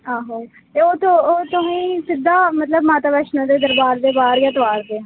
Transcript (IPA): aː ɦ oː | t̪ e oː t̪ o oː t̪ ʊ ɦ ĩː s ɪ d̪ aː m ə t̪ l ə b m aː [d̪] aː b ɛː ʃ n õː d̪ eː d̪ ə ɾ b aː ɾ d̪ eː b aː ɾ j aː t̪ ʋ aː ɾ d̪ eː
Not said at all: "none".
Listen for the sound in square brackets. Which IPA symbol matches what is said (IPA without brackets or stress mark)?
t̪